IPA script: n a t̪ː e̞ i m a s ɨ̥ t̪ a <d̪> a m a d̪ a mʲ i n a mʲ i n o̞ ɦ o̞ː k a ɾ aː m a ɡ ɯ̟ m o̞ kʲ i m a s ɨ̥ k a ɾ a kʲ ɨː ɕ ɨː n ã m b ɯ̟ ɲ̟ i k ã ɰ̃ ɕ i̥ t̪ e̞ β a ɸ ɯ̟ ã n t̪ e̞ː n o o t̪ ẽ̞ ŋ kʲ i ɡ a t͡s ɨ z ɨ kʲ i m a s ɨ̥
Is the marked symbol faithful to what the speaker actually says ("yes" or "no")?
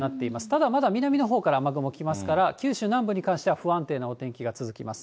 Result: yes